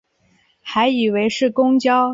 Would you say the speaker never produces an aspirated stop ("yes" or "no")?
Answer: yes